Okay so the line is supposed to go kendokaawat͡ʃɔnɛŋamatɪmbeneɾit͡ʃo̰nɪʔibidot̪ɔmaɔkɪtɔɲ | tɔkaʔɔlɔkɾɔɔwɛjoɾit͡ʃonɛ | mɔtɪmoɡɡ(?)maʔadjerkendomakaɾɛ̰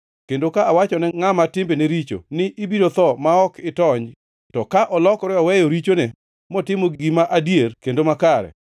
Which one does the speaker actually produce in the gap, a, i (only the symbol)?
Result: i